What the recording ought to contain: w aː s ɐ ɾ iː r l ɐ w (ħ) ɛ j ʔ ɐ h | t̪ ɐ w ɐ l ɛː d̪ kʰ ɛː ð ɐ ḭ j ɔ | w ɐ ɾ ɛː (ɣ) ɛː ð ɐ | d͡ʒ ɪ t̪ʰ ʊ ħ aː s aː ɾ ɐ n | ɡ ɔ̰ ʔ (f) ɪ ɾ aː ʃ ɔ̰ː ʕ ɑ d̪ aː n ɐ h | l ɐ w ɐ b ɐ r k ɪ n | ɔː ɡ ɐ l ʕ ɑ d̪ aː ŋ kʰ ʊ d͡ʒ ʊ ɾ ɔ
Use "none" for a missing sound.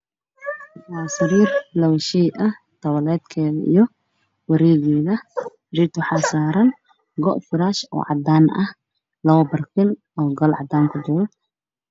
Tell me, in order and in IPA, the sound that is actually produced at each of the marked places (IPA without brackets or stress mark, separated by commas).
ʃ, ɣ, f